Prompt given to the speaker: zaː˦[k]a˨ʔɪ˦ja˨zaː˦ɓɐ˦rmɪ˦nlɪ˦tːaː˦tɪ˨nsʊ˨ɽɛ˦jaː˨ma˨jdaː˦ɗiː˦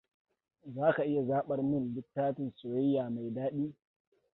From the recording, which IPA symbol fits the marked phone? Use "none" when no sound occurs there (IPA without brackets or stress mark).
k